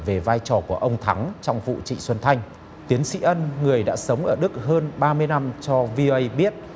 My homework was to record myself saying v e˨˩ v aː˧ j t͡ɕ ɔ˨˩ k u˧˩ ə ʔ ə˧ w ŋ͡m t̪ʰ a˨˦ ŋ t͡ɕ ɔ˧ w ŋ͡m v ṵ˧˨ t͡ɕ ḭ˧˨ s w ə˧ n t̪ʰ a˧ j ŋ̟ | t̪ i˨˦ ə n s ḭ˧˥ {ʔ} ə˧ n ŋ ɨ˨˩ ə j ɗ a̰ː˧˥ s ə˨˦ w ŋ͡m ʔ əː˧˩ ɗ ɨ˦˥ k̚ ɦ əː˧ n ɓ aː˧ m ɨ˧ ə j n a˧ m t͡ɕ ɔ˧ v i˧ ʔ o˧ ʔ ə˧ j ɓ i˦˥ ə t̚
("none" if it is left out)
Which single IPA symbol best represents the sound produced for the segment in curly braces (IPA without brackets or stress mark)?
ʔ